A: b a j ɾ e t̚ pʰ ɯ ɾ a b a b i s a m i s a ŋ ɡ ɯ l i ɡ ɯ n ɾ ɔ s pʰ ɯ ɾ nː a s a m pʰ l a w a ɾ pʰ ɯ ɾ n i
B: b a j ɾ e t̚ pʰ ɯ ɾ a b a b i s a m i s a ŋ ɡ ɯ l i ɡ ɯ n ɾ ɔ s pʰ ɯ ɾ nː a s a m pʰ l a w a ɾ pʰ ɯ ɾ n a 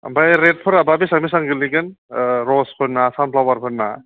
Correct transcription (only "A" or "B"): B